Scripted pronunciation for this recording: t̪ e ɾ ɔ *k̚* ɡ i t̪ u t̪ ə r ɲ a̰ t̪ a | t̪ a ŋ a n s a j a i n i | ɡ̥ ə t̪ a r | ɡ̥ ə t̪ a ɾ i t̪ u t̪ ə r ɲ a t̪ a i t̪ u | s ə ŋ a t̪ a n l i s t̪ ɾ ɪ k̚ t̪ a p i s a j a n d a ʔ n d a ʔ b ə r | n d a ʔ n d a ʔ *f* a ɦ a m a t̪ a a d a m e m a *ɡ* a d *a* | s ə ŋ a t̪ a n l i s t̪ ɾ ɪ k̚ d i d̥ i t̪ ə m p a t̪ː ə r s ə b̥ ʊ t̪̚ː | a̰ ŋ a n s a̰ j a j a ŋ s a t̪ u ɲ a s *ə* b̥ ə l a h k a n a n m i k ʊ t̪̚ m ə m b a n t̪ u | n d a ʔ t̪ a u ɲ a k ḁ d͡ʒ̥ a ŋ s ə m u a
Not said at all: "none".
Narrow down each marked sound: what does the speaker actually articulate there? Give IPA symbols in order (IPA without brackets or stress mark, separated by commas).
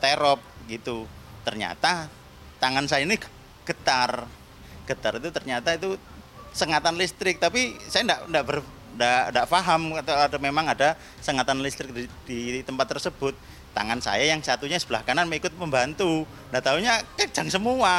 p̚, f, ŋ, a, ə